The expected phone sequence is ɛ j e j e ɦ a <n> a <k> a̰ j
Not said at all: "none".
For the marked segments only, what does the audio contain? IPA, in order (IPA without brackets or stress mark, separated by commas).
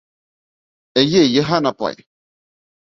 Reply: n, p